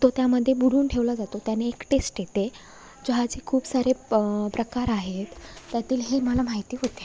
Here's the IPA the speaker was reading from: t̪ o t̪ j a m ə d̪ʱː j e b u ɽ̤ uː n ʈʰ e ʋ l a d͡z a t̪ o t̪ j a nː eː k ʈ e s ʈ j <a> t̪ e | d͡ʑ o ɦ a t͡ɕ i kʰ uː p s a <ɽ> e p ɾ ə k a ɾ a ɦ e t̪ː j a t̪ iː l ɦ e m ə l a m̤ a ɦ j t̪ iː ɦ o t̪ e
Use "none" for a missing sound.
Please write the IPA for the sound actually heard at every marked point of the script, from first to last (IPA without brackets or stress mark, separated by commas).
e, ɾ